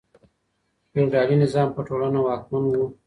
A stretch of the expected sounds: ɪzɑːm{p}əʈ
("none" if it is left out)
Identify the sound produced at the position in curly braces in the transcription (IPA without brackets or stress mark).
p